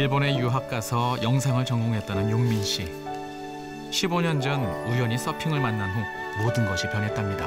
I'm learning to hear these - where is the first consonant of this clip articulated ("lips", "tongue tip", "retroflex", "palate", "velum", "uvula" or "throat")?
retroflex